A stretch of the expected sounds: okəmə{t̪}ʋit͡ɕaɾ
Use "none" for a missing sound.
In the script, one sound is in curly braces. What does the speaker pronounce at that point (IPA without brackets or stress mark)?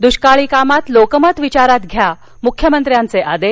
t̪